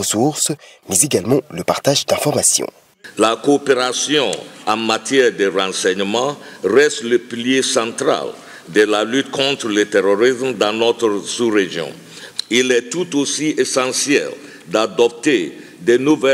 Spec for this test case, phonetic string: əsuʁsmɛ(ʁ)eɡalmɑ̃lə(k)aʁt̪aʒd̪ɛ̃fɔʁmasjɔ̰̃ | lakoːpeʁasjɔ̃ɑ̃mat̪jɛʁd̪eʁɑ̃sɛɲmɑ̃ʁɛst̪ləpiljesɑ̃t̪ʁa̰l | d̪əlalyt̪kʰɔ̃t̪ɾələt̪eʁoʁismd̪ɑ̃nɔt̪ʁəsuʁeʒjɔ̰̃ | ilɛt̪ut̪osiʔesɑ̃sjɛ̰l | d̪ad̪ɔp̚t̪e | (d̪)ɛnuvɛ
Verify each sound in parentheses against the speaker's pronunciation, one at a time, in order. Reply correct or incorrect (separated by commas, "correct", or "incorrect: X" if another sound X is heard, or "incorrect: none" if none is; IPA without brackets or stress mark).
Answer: incorrect: z, incorrect: p, correct